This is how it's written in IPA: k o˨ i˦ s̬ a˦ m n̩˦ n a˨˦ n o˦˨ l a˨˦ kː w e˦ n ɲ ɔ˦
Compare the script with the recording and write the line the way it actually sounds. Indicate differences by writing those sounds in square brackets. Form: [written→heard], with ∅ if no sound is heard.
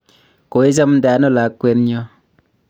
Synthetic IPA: k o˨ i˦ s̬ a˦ m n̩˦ [n→d] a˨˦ n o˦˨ l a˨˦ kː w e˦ n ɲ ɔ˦